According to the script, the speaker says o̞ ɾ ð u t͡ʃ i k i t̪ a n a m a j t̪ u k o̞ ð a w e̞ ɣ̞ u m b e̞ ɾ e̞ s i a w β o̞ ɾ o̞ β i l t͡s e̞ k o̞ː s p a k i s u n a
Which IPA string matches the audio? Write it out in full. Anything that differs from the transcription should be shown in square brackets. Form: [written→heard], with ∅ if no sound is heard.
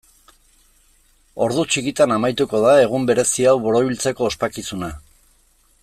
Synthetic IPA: o̞ ɾ ð u t͡ʃ i k i t̪ a n a m a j t̪ u k o̞ ð a [w→∅] e̞ ɣ̞ u m b e̞ ɾ e̞ s i a w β o̞ ɾ o̞ β i l t͡s e̞ k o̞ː s p a k i s u n a

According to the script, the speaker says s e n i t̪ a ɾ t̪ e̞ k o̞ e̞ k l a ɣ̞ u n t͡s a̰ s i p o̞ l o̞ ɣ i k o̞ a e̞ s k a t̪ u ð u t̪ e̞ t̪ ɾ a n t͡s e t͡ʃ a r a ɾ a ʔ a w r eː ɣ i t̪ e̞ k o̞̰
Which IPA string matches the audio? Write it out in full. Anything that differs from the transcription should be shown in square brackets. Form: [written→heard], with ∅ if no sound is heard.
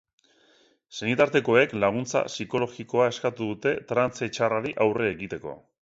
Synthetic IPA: s e n i t̪ a ɾ t̪ e̞ k o̞ e̞ k l a ɣ̞ u n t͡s a̰ s i [p→k] o̞ l o̞ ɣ i k o̞ a e̞ s k a t̪ u ð u t̪ e̞ t̪ ɾ a n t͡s e t͡ʃ a r a ɾ [a→i] ʔ a w r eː ɣ i t̪ e̞ k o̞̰

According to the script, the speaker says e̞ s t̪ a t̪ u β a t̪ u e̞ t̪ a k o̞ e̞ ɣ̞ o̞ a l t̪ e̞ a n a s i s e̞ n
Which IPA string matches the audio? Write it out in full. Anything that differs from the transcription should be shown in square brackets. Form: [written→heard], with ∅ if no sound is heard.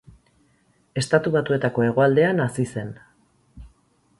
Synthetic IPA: e̞ s t̪ a t̪ u β a t̪ u e̞ t̪ a k o̞ e̞ ɣ̞ o̞ a l [t̪→d̪] e̞ a n a s i s e̞ n

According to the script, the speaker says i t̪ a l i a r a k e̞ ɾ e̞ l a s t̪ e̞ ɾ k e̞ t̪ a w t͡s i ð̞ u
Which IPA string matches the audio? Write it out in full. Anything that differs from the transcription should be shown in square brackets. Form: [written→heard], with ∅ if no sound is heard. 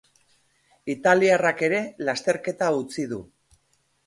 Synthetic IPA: i t̪ a l i a r a k e̞ ɾ e̞ l a s t̪ e̞ ɾ k e̞ t̪ a [w→u] t͡s i ð̞ u

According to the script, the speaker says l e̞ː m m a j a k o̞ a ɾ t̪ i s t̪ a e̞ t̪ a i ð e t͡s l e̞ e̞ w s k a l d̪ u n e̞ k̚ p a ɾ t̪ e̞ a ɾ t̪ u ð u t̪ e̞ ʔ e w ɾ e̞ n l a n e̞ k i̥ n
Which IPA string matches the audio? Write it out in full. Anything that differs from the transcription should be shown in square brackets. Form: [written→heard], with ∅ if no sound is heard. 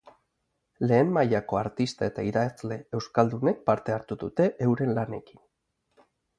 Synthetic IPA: l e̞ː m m a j a k o̞ a ɾ t̪ i s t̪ a e̞ t̪ a i ð [e→a] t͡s l e̞ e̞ w s k a l d̪ u n e̞ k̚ p a ɾ t̪ e̞ a ɾ t̪ u ð u t̪ e̞ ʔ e w ɾ e̞ n l a n e̞ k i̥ n

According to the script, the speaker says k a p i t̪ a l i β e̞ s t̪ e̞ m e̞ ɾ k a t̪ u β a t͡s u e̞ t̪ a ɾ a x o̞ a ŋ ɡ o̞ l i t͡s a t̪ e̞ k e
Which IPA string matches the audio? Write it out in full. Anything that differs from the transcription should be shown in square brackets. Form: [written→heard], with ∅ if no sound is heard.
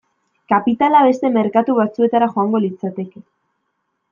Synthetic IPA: k a p i t̪ a l [i→a] β e̞ s t̪ e̞ m e̞ ɾ k a t̪ u β a t͡s u e̞ t̪ a ɾ a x o̞ a ŋ ɡ o̞ l i t͡s a t̪ e̞ k e

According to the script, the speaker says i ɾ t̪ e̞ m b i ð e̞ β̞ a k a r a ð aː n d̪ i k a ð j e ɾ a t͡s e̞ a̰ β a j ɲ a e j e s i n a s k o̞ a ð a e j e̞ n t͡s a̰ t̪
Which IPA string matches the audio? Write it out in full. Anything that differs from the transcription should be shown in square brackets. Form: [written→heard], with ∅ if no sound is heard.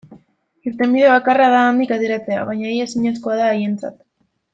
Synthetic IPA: i ɾ t̪ e̞ m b i ð e̞ β̞ a k a r a ð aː n d̪ i k a ð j e ɾ a t͡s e̞ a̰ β a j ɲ a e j e s i [n→ɲ] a s k o̞ a ð a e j e̞ n t͡s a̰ t̪

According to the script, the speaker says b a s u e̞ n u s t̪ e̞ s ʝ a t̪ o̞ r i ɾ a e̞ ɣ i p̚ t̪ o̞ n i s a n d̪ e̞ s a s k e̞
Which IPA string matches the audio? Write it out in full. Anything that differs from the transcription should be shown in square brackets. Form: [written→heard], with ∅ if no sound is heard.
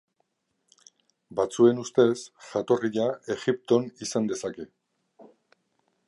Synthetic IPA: b a [s→t͡s] u e̞ n u s t̪ e̞ s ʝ a t̪ o̞ r i [ɾ→ʎ] a e̞ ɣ i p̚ t̪ o̞ n i s a n d̪ e̞ s a [s→∅] k e̞

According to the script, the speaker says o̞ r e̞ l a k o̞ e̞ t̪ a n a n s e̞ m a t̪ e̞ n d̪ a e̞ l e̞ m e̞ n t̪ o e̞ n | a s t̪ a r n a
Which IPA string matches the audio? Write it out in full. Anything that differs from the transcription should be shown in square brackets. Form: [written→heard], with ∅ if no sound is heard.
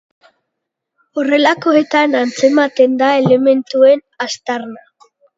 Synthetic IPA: o̞ r e̞ l a k o̞ e̞ t̪ a n a n [s→t͡s] e̞ m a t̪ e̞ n d̪ a e̞ l e̞ m e̞ n t̪ [o→u] e̞ n | a s t̪ a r n a

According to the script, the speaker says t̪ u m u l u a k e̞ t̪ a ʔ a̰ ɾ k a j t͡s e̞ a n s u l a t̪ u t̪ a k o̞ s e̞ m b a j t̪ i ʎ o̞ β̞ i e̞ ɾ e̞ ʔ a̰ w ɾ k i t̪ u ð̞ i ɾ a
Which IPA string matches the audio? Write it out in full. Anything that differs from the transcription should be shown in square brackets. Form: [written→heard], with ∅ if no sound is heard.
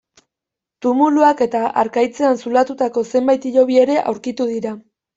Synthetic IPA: t̪ u m u l u a k e̞ t̪ a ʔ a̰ ɾ k a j t͡s e̞ a n s u l a t̪ u t̪ a k o̞ s e̞ m b a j t̪ i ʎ o̞ β̞ i e̞ ɾ e̞ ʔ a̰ w ɾ k i t̪ u ð̞ i ɾ a

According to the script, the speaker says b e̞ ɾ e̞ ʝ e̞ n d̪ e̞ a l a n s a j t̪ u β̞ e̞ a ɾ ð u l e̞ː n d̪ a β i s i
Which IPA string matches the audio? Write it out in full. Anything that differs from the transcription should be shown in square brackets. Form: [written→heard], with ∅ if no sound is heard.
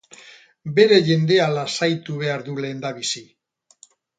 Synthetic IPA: b e̞ ɾ e̞ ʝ e̞ n d̪ e̞ a l a [n→∅] s a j t̪ u β̞ e̞ a ɾ ð u l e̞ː n d̪ a β i s i

